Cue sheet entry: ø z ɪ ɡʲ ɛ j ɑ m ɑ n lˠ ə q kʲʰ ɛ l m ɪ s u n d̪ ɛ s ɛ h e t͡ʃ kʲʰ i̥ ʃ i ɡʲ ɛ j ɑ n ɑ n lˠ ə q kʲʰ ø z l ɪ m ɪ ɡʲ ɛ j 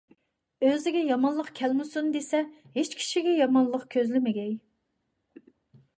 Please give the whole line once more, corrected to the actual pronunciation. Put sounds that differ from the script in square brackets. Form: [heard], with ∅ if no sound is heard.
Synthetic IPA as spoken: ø z ɪ ɡʲ ɛ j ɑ m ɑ n lˠ ə q kʲʰ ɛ l m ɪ s u n d̪ [e] s ɛ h e t͡ʃ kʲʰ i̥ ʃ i ɡʲ ɛ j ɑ [m] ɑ n lˠ ə q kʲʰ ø z l ɪ m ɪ ɡʲ ɛ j